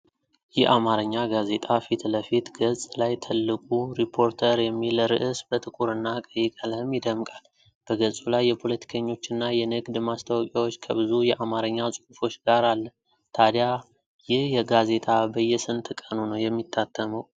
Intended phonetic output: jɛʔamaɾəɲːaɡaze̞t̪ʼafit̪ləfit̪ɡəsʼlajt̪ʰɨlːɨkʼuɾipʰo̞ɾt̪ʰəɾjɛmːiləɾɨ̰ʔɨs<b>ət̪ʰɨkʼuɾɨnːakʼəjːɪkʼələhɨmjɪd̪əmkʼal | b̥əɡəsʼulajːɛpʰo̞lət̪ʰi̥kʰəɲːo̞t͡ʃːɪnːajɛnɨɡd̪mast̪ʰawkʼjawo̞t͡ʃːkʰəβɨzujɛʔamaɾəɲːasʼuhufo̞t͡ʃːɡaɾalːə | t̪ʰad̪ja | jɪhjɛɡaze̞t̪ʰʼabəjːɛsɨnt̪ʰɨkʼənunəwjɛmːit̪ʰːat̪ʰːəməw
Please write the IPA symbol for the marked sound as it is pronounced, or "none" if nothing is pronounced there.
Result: b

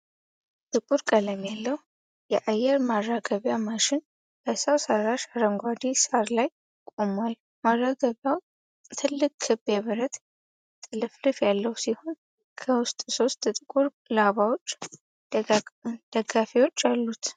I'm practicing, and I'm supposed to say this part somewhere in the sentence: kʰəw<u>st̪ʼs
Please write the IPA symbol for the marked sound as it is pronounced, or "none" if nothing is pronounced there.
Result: ʊ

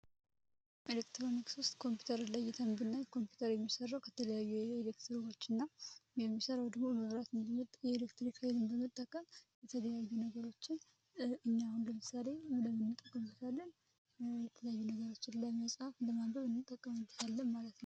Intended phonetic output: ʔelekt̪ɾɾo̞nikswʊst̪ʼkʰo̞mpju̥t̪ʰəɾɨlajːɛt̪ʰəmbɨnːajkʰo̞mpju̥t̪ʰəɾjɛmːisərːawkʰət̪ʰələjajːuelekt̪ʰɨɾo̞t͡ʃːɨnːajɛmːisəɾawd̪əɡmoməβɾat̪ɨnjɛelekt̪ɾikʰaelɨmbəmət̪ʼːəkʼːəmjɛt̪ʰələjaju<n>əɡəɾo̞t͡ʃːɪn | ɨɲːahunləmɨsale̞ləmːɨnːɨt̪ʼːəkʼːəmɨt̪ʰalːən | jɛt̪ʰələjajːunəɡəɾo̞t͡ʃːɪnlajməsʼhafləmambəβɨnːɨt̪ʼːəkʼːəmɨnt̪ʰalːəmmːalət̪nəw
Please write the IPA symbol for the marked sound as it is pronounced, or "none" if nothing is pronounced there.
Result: n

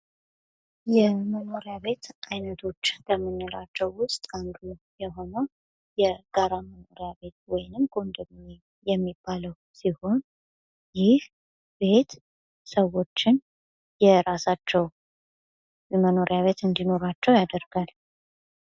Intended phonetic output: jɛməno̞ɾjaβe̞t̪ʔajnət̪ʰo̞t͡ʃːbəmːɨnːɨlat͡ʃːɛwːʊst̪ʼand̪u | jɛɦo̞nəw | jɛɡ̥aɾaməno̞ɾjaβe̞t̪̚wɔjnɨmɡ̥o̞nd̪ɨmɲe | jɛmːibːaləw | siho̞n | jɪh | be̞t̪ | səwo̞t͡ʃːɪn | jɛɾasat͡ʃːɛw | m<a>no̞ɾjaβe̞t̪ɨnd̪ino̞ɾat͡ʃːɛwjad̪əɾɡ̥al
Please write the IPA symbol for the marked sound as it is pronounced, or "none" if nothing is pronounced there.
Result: ə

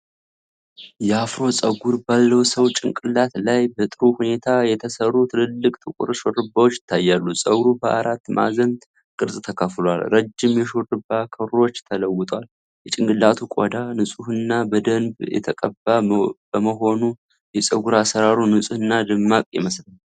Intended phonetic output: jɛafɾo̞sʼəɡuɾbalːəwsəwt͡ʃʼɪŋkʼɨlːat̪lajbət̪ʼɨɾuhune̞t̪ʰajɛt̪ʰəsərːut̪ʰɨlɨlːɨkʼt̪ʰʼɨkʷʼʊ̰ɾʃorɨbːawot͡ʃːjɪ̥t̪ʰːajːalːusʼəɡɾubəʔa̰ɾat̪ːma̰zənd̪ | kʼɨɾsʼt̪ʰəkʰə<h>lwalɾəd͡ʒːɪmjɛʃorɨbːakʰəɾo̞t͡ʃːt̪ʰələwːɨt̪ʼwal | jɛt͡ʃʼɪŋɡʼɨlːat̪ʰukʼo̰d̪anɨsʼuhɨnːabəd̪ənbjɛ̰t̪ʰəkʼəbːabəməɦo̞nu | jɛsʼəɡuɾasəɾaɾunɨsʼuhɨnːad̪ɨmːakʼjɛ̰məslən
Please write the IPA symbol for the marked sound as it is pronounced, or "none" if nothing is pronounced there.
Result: f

